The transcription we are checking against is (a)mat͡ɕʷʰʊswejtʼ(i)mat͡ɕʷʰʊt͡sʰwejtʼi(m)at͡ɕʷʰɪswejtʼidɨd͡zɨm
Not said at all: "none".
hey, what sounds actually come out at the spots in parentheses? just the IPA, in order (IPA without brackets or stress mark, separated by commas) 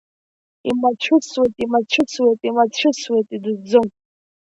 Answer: i, i, m